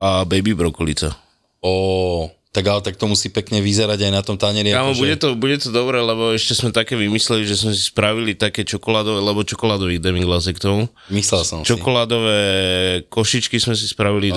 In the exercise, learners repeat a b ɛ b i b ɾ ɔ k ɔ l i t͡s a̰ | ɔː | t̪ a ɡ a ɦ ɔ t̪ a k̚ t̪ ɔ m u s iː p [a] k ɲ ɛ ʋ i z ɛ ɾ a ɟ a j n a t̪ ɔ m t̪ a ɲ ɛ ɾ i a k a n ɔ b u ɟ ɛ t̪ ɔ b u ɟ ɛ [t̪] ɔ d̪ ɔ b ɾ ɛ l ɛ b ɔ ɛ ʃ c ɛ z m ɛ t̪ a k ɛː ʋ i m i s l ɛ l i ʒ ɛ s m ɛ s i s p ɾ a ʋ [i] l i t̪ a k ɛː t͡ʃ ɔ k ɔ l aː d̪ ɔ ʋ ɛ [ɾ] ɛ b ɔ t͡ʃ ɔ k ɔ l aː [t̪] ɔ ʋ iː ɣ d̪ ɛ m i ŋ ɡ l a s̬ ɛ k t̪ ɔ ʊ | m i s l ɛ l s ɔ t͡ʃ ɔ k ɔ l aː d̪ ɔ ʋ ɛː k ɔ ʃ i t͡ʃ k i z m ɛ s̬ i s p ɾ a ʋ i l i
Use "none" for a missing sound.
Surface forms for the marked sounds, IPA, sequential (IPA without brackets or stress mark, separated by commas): ɛ, t̪, i, l, d̪